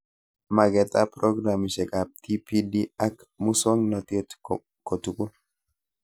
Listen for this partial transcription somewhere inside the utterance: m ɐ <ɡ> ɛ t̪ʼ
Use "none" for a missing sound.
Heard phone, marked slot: ɡ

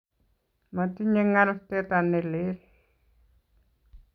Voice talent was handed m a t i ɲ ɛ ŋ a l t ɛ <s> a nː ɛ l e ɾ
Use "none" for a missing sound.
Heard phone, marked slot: t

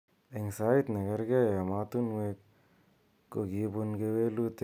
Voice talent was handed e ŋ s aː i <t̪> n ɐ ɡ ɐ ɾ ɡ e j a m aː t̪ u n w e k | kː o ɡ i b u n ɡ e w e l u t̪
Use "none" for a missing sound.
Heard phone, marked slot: t̪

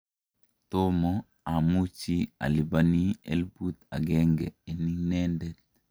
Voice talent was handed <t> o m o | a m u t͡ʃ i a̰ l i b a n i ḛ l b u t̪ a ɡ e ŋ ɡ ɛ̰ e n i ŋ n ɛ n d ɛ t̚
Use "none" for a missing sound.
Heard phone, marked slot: t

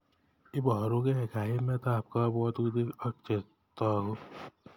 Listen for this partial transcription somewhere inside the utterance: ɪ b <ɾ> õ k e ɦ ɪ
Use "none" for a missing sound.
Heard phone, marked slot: ɾ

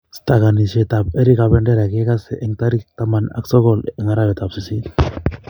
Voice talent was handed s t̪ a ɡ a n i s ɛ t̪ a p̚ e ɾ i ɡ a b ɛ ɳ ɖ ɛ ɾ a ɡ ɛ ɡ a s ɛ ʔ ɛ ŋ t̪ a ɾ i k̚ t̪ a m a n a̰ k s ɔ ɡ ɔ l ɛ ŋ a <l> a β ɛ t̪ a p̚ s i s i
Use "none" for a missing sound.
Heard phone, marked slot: ɾ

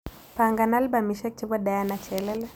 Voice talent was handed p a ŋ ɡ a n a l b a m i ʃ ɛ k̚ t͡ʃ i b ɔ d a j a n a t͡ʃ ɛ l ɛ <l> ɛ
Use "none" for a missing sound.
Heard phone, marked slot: l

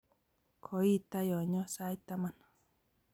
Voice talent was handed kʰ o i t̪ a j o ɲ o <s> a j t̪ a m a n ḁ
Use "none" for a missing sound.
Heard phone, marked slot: s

